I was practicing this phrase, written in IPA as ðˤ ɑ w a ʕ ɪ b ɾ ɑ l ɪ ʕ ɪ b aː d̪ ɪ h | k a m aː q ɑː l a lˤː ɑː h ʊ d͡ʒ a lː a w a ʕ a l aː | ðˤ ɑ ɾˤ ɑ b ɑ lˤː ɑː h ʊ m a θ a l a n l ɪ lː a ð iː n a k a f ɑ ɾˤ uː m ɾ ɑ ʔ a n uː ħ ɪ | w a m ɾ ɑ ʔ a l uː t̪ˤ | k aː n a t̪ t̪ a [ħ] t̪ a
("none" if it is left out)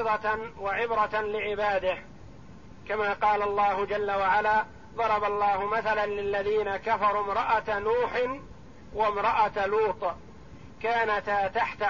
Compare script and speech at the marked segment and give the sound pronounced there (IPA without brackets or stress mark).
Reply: ħ